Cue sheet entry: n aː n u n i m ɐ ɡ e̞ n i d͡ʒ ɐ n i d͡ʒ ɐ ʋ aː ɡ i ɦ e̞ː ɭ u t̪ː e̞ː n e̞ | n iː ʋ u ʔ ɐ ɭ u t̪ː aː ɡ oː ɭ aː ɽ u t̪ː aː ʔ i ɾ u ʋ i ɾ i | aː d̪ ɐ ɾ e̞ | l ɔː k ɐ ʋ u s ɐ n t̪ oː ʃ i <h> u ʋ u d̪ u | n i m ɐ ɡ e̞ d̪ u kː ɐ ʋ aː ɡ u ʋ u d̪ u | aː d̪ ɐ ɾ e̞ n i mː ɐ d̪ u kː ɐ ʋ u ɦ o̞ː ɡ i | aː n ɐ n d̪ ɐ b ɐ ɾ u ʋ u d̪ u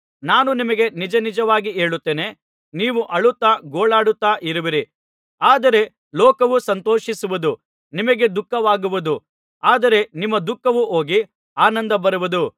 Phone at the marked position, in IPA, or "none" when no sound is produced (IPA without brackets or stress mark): s